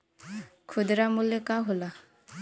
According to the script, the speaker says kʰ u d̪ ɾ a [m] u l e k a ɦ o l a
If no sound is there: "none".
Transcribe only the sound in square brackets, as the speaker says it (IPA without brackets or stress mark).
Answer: m